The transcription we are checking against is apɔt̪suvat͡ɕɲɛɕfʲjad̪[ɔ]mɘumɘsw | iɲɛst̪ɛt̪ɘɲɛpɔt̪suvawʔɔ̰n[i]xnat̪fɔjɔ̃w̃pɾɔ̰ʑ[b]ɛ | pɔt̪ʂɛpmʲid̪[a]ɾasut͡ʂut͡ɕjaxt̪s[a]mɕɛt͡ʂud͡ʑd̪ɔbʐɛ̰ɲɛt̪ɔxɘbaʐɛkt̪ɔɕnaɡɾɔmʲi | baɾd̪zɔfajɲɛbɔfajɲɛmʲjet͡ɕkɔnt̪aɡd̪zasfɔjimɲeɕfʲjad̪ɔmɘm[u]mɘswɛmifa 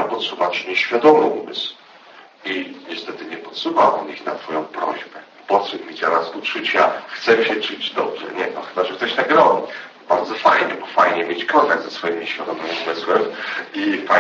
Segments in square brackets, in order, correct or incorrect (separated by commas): correct, correct, correct, correct, incorrect, correct